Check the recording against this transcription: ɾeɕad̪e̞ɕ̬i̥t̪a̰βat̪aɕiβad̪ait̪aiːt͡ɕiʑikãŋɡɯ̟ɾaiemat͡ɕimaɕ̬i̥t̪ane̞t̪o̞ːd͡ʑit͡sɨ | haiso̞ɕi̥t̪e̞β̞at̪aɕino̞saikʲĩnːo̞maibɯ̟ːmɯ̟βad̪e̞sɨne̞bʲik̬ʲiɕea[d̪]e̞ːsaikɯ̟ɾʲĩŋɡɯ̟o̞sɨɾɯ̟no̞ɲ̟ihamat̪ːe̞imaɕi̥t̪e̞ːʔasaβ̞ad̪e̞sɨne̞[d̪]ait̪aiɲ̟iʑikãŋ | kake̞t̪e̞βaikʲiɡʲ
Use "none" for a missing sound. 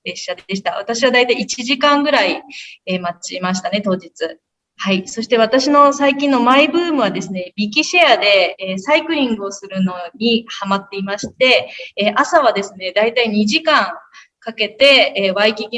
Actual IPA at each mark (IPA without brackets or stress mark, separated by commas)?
d̪, d̪